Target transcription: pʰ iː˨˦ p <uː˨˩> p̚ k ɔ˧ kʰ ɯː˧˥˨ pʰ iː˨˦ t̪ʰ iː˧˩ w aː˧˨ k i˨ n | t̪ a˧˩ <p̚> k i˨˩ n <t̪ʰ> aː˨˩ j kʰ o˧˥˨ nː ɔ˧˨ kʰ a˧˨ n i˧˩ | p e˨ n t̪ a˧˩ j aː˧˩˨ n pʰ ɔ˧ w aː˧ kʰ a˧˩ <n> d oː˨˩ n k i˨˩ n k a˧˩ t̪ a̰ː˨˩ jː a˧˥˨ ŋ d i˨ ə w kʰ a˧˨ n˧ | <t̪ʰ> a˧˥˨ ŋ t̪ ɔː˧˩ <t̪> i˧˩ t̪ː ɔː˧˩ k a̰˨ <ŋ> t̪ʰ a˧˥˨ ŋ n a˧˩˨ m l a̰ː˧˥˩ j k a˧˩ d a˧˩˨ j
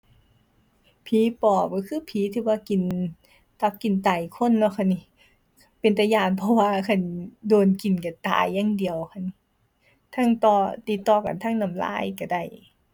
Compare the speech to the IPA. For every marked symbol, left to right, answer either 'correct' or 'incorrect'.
incorrect: ɔː˨˩, correct, incorrect: t̪, correct, correct, correct, incorrect: n

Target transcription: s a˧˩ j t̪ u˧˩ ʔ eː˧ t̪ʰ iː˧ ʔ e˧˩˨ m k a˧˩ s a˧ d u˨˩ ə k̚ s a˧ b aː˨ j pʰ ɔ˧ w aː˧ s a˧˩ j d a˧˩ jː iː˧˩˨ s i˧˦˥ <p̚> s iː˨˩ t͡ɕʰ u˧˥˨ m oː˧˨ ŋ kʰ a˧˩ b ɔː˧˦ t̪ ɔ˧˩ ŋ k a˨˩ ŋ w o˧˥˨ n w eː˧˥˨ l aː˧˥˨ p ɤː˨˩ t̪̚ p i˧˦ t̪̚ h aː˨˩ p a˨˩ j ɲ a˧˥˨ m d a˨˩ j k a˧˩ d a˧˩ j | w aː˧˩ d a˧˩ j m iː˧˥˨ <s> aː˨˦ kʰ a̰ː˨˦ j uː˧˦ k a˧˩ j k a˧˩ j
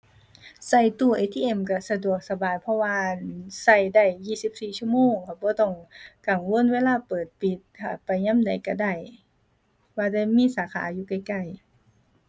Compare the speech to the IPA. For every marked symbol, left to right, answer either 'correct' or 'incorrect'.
correct, correct

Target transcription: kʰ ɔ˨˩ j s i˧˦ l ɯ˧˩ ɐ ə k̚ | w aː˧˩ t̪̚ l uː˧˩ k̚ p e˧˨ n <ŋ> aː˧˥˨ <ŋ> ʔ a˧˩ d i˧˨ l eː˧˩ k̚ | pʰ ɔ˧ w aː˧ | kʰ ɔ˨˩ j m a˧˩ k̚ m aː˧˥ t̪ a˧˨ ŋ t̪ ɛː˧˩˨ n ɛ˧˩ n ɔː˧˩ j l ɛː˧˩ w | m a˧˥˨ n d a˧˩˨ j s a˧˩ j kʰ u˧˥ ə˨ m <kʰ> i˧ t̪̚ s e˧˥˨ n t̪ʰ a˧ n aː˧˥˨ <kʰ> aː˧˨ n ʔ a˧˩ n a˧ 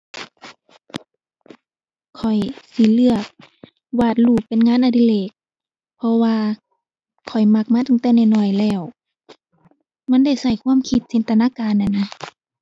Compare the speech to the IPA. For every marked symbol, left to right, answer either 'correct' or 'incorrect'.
correct, incorrect: n, correct, incorrect: k

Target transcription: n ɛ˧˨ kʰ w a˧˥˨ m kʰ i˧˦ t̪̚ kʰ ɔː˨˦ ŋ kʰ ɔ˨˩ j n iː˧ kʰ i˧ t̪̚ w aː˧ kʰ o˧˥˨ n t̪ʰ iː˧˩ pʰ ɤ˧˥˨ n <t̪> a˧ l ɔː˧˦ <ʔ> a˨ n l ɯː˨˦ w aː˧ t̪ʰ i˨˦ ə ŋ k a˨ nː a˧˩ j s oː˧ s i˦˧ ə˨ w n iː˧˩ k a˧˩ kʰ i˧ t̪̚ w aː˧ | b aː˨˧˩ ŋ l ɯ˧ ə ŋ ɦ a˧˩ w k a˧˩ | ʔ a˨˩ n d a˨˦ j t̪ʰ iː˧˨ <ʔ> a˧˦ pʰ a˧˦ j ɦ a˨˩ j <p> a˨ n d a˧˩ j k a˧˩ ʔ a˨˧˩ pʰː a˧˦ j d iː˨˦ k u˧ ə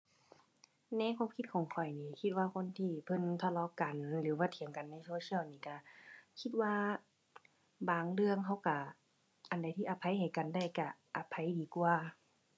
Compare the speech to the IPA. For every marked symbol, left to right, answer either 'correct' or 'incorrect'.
incorrect: t̪ʰ, incorrect: k, correct, incorrect: k

